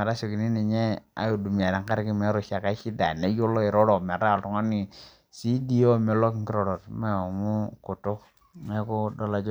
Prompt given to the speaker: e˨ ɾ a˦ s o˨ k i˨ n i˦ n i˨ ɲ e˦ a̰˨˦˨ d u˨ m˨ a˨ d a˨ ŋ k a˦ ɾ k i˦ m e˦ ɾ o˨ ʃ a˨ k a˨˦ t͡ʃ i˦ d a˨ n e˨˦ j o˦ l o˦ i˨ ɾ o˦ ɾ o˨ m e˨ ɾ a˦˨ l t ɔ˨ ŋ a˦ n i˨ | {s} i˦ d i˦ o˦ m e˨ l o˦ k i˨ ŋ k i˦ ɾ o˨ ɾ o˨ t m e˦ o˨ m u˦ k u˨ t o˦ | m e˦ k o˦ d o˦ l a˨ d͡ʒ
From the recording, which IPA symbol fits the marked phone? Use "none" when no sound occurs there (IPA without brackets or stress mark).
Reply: s